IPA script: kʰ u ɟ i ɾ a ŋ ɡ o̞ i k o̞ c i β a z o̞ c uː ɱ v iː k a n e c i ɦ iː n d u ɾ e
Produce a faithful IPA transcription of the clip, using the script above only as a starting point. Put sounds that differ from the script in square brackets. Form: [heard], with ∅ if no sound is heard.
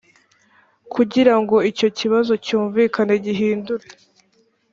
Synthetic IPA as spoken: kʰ u ɟ i ɾ a ŋ ɡ o̞ i [c] o̞ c i β a z o̞ c uː ɱ v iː k a n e [ɟ] i ɦ iː n d u ɾ e